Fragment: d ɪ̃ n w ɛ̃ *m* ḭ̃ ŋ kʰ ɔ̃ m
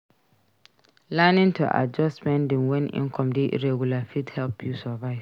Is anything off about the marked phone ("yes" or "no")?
yes